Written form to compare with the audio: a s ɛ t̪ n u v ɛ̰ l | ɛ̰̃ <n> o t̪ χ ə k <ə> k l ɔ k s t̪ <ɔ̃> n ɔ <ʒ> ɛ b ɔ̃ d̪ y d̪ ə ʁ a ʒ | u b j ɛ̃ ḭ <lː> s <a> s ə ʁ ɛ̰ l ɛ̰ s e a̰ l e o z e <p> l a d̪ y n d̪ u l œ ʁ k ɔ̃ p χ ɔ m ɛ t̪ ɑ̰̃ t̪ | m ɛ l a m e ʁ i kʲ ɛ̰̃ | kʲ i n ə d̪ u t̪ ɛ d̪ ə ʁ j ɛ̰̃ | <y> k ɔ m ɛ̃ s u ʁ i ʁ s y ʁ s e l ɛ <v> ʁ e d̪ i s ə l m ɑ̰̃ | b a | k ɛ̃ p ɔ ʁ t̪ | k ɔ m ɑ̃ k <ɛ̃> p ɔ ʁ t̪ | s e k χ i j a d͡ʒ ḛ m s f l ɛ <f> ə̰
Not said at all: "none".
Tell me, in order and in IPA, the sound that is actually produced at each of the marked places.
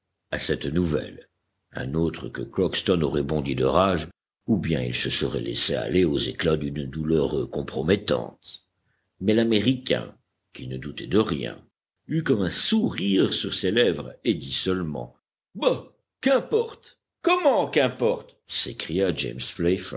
n, ə, ɔ, ʁ, l, ə, k, y, v, ɛ̃, f

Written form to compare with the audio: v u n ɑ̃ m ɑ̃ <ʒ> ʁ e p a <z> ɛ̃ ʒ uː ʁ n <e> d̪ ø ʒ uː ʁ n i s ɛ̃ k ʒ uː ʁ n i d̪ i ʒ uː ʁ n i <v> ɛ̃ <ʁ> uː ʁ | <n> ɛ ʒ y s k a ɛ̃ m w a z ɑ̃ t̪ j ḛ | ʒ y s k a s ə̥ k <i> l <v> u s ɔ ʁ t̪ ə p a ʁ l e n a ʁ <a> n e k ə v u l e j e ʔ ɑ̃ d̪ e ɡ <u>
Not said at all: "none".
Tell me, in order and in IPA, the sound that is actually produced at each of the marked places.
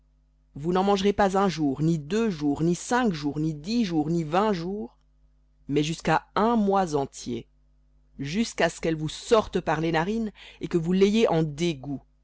ʒ, z, i, v, ʒ, m, ɛ, v, i, u

